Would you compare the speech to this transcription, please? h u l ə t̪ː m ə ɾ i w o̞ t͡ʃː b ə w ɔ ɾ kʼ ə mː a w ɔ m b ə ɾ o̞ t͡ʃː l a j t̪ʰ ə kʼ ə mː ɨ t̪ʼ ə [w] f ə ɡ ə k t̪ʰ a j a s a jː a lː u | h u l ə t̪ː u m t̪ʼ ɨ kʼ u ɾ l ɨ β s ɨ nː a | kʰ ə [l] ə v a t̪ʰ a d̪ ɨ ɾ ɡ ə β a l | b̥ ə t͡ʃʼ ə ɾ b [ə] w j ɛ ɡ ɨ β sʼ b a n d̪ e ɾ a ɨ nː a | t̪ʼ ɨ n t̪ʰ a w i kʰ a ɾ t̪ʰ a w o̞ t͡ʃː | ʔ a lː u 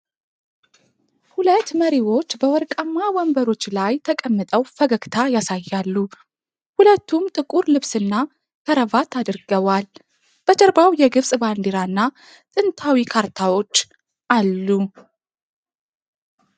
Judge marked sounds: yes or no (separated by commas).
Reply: yes, no, no